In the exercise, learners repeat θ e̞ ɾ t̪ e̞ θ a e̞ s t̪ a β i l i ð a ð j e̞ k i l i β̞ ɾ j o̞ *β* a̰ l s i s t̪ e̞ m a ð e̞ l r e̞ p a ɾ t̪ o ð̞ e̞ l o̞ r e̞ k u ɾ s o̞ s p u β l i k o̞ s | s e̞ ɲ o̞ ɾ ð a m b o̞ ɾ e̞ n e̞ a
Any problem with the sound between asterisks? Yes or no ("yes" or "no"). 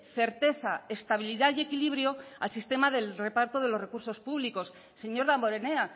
yes